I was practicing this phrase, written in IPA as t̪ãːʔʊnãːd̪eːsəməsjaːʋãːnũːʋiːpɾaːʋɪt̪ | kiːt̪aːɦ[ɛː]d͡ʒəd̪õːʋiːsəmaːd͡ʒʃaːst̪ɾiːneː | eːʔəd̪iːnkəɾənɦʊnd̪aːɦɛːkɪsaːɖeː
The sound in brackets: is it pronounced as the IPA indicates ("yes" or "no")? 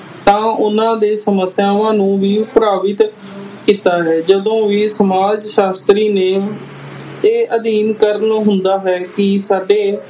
yes